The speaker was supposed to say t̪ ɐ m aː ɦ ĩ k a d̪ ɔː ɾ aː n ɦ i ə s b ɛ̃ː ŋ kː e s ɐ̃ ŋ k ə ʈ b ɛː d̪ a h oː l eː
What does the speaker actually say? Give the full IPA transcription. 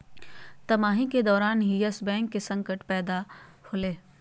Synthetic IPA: t̪ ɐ m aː ɦ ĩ k e d̪ ɔː ɾ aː n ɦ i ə s b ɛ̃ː ŋ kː e s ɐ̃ ŋ k ə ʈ p ɛː d̪ a h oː l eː